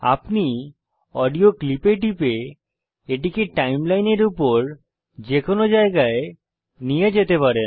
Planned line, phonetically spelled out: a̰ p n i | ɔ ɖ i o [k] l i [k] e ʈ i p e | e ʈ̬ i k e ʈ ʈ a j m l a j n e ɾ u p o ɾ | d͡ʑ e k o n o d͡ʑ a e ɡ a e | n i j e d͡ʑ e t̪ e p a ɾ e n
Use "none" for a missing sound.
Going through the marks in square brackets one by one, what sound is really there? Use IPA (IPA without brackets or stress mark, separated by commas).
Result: k, p